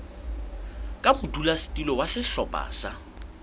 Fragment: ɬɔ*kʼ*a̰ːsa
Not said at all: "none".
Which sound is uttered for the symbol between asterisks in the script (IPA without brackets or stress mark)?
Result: pʼ